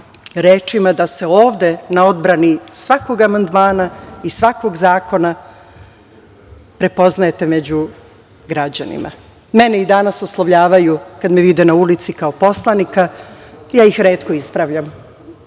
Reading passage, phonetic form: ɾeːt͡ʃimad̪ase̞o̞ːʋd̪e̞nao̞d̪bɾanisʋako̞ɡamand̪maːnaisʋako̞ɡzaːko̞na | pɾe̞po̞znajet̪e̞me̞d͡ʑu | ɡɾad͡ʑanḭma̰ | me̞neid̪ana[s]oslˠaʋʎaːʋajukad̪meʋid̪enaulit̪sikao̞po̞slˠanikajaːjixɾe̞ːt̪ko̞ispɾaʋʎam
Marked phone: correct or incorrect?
correct